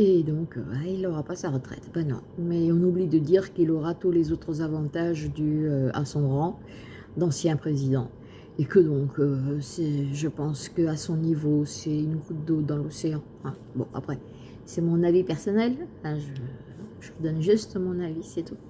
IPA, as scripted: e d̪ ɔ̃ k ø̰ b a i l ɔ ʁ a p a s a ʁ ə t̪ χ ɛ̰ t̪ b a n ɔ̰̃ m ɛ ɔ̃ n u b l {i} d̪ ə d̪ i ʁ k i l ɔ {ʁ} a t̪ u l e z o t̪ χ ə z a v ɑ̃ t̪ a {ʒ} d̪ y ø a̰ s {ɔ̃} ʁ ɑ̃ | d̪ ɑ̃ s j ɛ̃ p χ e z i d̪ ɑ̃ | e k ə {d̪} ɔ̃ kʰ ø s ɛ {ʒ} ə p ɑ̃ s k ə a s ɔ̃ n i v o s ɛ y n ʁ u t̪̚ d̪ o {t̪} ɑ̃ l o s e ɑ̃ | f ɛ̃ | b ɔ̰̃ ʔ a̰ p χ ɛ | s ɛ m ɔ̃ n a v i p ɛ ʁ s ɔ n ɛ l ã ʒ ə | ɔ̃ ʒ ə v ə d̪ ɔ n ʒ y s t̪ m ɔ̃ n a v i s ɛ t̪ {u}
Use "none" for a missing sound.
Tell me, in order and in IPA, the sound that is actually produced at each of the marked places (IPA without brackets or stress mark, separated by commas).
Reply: i, ʁ, ʒ, ɔ̃, d̪, ʒ, d̪, u